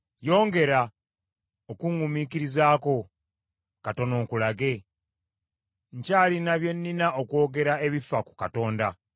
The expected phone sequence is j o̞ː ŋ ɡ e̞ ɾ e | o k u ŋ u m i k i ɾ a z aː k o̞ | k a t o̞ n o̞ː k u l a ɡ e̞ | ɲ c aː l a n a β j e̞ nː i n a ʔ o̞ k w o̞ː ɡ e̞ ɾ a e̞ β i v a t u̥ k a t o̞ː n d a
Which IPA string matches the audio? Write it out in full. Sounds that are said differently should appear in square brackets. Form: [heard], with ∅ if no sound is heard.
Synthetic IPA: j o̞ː ŋ ɡ e̞ ɾ [a] | o k u ŋ u m i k i ɾ [i] z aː k o̞ | k a t o̞ n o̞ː k u l a ɡ e̞ | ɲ c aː l [i] n a β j e̞ nː i n a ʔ o̞ k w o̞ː ɡ e̞ ɾ a e̞ β i [f] a [k] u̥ k a t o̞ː n d a